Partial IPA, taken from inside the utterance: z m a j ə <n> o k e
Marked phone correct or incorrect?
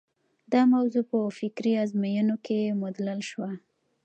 correct